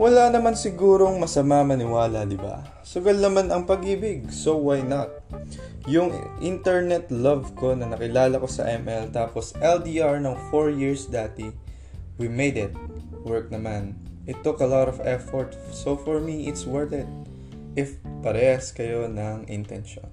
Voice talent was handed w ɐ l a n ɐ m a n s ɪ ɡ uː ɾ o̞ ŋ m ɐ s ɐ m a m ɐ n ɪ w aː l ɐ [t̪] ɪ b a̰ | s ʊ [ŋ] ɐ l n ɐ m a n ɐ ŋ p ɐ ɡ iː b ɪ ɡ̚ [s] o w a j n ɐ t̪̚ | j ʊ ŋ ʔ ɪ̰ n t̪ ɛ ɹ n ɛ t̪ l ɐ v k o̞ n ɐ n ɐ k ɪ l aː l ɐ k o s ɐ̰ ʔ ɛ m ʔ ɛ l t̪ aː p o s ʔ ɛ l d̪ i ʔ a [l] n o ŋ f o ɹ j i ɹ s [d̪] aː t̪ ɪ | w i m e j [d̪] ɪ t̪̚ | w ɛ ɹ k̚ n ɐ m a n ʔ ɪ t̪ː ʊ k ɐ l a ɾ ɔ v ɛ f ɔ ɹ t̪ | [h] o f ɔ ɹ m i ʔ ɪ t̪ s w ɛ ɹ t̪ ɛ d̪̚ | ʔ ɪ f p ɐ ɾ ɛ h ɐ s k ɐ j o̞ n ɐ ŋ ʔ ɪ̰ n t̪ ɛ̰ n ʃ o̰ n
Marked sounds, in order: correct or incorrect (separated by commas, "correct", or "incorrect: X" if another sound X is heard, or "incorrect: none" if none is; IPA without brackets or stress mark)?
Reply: incorrect: d̪, incorrect: ɡ, correct, incorrect: ɹ, correct, correct, incorrect: s